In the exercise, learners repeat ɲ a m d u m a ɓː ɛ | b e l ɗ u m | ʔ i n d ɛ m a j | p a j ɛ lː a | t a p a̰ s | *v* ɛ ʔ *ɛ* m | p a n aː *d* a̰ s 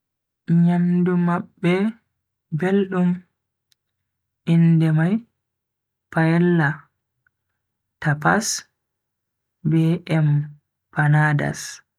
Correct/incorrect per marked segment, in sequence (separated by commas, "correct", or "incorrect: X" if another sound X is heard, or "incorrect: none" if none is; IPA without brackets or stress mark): incorrect: b, correct, correct